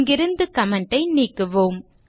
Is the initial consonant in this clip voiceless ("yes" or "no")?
no